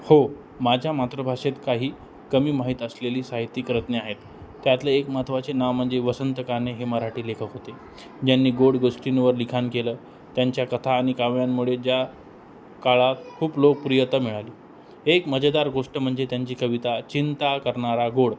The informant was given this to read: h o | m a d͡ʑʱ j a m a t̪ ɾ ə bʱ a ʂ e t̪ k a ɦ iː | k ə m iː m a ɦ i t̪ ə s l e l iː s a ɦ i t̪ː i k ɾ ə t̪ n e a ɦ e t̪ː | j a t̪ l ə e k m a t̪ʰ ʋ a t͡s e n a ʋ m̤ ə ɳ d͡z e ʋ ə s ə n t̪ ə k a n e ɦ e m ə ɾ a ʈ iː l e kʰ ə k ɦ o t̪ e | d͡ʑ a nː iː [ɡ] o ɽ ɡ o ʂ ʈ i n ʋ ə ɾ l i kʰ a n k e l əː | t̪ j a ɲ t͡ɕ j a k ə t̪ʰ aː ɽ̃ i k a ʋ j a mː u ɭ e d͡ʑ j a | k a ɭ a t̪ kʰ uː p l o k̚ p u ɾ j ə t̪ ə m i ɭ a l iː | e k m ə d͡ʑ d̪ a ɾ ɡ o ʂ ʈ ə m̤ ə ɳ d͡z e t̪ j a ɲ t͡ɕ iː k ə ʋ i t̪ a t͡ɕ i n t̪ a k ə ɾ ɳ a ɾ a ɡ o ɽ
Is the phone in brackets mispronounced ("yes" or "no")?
no